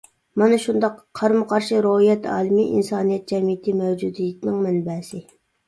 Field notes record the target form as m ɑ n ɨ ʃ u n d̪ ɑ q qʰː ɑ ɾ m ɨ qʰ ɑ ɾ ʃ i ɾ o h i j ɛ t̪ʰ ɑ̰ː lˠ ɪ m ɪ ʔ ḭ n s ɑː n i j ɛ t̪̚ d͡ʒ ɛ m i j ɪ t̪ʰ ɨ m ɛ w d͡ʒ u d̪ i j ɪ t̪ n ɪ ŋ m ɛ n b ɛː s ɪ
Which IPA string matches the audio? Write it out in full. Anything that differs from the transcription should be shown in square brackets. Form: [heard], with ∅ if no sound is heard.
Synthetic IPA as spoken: m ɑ n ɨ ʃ u n d̪ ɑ q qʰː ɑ ɾ m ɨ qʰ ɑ ɾ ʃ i ɾ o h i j ɛ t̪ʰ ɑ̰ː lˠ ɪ m [i] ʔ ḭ n s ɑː n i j ɛ t̪̚ d͡ʒ ɛ m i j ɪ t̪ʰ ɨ m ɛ w d͡ʒ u d̪ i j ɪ t̪ n ɪ ŋ m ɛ n b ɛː s ɪ